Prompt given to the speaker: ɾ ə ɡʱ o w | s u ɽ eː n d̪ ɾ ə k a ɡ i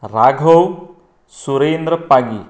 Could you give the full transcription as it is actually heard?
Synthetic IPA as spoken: ɾ a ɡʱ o w | s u ɾ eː n d̪ ɾ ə p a ɡ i